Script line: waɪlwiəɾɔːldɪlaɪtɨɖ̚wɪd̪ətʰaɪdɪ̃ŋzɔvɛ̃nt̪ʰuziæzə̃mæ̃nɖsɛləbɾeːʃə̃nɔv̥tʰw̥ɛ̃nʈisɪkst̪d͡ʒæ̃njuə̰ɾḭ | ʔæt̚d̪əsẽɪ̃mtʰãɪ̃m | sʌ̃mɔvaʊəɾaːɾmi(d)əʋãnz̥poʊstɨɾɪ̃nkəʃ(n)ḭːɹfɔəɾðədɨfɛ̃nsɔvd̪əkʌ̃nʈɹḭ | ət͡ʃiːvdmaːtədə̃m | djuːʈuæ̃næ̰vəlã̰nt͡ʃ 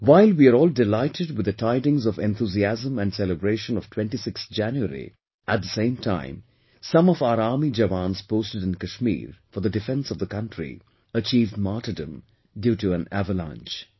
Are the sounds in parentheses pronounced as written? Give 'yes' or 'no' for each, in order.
no, no

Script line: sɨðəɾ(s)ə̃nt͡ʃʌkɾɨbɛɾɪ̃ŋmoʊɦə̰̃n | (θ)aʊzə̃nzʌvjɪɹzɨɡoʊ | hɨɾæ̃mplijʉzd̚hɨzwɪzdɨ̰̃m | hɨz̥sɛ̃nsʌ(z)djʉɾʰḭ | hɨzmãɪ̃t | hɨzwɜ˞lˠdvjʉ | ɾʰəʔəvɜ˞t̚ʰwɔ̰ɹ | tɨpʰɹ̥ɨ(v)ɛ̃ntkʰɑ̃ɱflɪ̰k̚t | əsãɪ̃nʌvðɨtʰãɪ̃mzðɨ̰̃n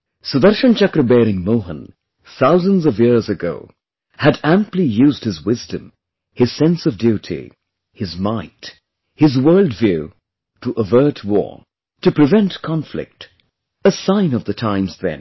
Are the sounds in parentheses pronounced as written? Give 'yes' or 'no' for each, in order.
no, yes, no, yes

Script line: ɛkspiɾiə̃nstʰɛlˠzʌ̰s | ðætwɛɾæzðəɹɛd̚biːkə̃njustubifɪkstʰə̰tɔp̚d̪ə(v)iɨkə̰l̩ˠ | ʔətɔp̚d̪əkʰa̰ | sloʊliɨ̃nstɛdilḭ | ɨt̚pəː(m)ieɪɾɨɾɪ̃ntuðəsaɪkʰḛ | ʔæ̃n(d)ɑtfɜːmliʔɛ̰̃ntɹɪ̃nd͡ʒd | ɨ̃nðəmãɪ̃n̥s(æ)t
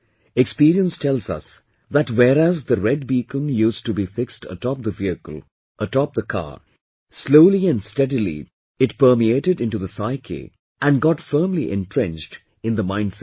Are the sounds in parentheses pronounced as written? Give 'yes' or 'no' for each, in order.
yes, yes, no, no

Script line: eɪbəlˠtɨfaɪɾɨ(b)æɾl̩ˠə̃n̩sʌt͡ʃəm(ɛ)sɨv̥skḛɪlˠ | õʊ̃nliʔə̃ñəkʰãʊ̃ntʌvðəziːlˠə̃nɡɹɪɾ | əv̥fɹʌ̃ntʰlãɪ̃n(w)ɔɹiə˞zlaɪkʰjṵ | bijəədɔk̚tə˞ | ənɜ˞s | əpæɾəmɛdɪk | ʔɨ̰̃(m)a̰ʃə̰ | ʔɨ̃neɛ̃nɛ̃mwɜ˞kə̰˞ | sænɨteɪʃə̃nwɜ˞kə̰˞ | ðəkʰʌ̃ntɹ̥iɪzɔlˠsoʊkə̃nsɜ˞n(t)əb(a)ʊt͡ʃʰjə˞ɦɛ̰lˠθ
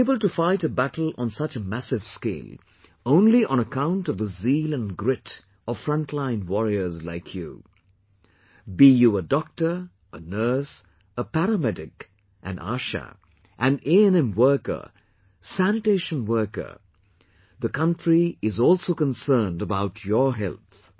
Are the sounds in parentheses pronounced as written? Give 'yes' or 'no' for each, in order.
yes, no, yes, no, no, yes

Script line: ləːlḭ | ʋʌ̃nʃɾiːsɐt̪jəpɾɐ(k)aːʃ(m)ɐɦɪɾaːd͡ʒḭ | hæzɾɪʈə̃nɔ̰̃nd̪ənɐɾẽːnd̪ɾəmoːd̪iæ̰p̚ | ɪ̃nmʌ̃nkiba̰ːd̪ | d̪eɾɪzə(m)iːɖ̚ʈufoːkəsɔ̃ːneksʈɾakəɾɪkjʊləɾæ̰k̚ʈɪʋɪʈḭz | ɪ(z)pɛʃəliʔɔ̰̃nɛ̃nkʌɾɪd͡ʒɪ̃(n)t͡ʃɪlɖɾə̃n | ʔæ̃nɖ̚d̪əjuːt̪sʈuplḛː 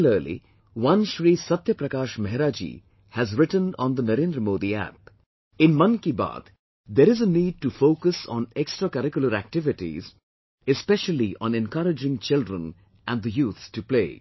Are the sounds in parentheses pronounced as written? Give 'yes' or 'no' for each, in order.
yes, yes, no, no, no

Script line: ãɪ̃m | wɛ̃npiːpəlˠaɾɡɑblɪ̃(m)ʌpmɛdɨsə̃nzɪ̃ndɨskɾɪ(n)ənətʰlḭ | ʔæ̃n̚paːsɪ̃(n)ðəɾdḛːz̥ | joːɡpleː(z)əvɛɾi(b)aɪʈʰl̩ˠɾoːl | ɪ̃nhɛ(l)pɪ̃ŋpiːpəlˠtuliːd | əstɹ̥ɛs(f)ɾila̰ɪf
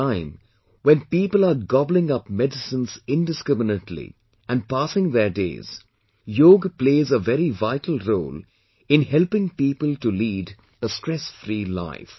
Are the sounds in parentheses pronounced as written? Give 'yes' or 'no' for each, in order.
no, no, no, yes, no, yes, yes

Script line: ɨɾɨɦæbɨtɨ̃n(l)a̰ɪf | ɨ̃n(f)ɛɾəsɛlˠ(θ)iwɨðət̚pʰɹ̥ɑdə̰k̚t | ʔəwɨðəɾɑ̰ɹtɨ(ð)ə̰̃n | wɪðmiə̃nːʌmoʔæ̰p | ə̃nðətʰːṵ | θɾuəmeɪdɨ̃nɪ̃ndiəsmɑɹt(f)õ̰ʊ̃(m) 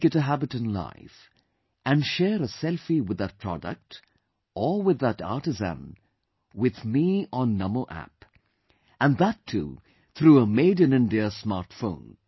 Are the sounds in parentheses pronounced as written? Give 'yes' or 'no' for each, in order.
yes, no, no, no, yes, no

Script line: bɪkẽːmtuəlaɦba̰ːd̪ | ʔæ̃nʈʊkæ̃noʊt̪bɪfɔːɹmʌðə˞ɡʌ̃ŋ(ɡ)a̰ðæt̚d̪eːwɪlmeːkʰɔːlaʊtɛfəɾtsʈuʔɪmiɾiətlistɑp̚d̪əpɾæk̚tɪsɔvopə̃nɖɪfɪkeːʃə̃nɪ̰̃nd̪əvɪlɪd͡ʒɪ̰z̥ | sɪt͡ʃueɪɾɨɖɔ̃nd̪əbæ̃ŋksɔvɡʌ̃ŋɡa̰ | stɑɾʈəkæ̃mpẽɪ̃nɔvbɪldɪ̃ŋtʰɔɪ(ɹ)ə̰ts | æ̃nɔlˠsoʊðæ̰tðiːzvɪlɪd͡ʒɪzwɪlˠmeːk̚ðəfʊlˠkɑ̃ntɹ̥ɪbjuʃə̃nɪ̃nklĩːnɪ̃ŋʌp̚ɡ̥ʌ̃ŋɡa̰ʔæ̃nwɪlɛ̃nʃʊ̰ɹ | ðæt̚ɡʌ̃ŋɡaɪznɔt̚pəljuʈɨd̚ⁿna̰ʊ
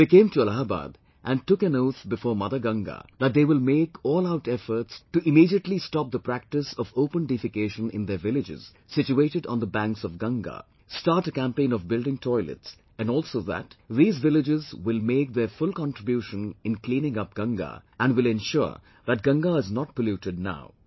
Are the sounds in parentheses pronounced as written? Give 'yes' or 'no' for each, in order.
yes, no

